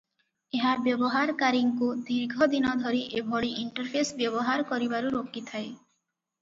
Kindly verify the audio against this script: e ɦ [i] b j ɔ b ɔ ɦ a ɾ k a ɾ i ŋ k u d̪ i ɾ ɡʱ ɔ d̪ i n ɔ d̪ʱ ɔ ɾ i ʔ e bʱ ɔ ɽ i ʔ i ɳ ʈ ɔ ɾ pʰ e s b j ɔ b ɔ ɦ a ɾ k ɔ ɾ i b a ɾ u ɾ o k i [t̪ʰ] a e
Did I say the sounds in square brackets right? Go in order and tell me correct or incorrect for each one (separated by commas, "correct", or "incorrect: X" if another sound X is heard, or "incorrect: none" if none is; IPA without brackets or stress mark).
incorrect: a, correct